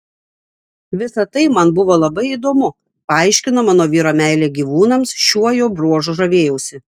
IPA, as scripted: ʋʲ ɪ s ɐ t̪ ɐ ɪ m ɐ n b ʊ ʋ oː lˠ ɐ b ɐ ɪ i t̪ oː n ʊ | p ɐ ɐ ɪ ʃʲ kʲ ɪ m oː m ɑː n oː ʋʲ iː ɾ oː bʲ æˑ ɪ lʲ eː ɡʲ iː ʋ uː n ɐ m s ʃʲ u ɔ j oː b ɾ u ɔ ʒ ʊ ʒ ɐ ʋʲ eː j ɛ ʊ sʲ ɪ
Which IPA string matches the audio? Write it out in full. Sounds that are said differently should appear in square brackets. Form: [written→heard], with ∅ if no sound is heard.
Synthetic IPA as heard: ʋʲ ɪ s ɐ t̪ ɐ ɪ m ɐ n b ʊ ʋ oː lˠ ɐ b ɐ ɪ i [t̪→d̪] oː [n→m] ʊ | p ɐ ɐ ɪ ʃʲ kʲ ɪ [m→n] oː m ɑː n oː ʋʲ iː ɾ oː [bʲ→mʲ] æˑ ɪ lʲ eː ɡʲ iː ʋ uː n ɐ m s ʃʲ u ɔ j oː b ɾ u ɔ ʒ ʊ ʒ ɐ ʋʲ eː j ɛ ʊ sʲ ɪ